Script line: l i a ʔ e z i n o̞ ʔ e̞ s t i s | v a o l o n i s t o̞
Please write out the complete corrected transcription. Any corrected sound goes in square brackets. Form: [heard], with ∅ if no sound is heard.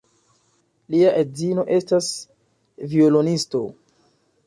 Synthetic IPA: l i a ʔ e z i n o̞ ʔ e̞ s t [a] s | v [i] o l o n i s t o̞

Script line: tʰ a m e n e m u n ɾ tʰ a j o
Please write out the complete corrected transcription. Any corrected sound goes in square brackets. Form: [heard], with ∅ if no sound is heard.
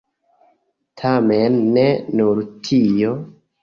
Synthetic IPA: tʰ a m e [nː] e [n] u [∅] ɾ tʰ [i] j o

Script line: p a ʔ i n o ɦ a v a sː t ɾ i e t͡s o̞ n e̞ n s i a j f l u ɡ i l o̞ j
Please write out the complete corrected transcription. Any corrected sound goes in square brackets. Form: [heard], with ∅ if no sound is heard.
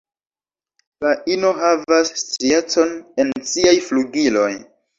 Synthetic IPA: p a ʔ i n o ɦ a v a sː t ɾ i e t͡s o̞ n e̞ n s i a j f l u ɡ i l o̞ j

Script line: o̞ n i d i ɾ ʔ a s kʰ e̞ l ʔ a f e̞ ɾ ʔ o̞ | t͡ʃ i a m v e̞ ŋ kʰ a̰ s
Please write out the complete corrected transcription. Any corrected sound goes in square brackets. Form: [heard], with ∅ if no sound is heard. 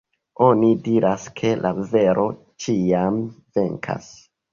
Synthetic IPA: o̞ n i d i ɾ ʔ a s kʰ e̞ l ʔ a [v] e̞ ɾ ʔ o̞ | t͡ʃ i a m v e̞ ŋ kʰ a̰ s

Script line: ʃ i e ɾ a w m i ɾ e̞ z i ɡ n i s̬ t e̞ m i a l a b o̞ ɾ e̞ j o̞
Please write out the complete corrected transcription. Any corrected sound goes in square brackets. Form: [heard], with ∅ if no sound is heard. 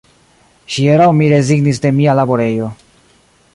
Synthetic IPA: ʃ i e ɾ a w m i ɾ e̞ z i ɡ n i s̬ [d] e̞ m i a l a b o̞ ɾ e̞ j o̞

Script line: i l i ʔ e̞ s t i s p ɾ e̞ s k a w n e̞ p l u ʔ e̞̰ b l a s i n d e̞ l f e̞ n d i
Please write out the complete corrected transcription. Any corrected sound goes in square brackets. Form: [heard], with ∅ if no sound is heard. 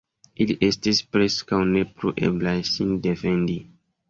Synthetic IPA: i l i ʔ e̞ s t i s p ɾ e̞ s k a w n e̞ p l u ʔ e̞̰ b l a s i n d e̞ [∅] f e̞ n d i

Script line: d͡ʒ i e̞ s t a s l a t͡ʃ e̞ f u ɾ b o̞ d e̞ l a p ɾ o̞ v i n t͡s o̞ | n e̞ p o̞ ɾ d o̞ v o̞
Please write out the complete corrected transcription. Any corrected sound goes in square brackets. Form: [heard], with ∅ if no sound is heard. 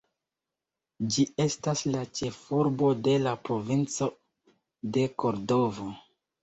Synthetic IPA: d͡ʒ i e̞ s t a s l a t͡ʃ e̞ f u ɾ b o̞ d e̞ l a p ɾ o̞ v i n t͡s o̞ | [d] e̞ [k] o̞ ɾ d o̞ v o̞

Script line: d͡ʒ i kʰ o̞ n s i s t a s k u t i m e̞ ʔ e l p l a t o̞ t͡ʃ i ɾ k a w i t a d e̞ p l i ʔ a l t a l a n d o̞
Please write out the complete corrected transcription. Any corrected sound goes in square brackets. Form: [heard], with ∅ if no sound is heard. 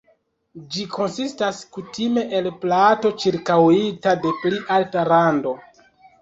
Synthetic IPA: d͡ʒ i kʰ o̞ n s i s t a s k u t i m e̞ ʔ e l p l a t o̞ t͡ʃ i ɾ k a w i t a d e̞ p l i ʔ a l t a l a n d o̞

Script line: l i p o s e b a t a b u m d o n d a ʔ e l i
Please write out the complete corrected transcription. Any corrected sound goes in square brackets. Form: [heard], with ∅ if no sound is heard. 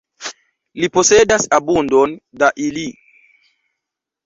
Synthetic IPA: l i p o s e [d] a [s] a b u [n] d o n d a ʔ [i] l i

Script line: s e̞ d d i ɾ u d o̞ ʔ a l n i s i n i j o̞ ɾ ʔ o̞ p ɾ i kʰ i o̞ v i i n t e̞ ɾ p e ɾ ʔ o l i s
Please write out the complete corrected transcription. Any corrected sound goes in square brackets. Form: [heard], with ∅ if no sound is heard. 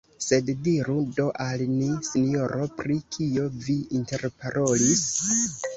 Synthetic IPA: s e̞ d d i ɾ u d o̞ ʔ a l n i s i n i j o̞ ɾ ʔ o̞ p ɾ i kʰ i o̞ v i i n t e̞ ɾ p [a] ɾ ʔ o l i s

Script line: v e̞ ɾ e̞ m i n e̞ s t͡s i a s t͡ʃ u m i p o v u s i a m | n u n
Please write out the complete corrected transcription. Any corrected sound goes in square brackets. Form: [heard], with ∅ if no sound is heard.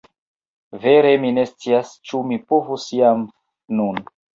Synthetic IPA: v e̞ ɾ e̞ m i n e̞ s t͡s i a s t͡ʃ u m i p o v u s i a m | n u n

